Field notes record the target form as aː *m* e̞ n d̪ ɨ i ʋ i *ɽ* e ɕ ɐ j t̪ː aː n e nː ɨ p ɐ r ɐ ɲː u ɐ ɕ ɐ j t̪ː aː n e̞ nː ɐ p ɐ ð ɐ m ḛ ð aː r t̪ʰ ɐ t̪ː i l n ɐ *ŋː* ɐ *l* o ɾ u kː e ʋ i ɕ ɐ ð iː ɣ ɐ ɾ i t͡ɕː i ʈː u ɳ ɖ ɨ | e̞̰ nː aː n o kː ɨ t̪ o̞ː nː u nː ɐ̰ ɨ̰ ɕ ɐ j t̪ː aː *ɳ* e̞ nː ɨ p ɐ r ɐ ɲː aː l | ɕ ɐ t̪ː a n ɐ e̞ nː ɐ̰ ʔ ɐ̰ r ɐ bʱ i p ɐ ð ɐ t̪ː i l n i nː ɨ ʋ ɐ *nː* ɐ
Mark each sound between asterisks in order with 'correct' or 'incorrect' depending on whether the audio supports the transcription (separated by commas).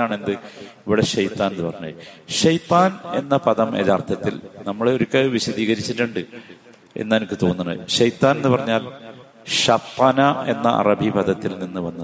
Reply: incorrect, correct, incorrect, incorrect, incorrect, correct